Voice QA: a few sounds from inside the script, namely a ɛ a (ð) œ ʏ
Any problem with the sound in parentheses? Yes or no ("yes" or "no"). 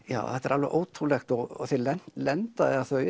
yes